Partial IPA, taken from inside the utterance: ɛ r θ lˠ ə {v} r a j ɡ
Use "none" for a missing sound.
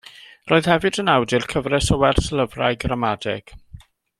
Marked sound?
v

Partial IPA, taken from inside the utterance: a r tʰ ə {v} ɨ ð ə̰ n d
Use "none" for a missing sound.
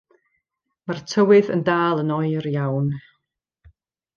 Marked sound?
w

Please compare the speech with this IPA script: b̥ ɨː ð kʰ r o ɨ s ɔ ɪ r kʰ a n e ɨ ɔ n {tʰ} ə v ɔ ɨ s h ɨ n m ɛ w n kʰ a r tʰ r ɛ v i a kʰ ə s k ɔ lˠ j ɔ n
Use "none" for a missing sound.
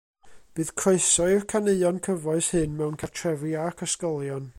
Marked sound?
kʰ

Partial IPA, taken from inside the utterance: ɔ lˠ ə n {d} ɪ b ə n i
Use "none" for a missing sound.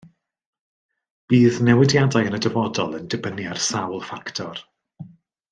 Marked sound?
d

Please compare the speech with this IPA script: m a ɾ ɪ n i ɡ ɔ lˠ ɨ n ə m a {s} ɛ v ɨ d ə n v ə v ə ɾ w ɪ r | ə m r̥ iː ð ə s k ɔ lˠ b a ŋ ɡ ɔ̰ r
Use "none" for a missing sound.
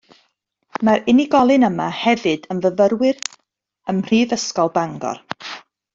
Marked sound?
h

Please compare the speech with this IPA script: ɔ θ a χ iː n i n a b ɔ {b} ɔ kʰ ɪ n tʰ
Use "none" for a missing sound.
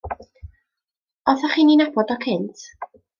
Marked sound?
d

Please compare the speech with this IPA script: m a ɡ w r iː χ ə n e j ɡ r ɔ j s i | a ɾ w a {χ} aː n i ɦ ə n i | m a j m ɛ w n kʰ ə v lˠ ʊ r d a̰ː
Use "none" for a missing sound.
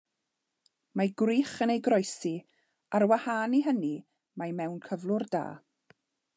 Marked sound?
h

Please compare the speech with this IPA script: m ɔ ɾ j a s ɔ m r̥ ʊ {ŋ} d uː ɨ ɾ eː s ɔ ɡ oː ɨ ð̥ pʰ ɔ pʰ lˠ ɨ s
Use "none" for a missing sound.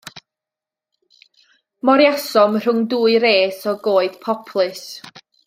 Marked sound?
ŋ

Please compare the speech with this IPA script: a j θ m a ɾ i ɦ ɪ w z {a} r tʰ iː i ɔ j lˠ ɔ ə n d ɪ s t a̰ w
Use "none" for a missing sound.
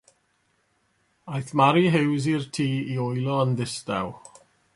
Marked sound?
i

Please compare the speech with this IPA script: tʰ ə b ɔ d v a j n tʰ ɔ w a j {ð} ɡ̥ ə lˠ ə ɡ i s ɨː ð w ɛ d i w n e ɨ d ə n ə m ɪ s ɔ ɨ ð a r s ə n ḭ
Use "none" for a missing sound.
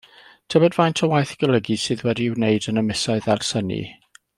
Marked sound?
θ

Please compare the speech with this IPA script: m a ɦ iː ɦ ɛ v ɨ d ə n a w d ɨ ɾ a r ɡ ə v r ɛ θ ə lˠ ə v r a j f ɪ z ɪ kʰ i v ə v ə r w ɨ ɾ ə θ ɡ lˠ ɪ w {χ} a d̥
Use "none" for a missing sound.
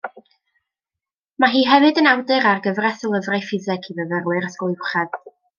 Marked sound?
χ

